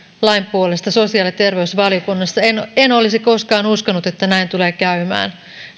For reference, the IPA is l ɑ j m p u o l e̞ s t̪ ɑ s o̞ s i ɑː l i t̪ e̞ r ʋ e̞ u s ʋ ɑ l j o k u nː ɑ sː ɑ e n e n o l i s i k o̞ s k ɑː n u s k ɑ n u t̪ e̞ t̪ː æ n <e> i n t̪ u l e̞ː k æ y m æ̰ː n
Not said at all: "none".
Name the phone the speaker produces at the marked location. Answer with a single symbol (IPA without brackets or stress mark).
æ